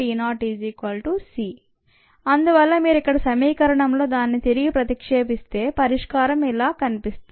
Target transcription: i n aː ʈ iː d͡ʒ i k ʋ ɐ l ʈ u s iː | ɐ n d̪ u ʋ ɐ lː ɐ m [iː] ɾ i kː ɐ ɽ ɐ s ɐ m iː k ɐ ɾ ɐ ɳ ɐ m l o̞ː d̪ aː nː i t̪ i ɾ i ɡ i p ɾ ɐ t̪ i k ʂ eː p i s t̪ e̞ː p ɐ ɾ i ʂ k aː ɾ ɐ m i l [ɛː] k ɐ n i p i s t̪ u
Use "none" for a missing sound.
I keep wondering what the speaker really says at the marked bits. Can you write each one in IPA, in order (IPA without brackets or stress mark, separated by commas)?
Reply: iː, aː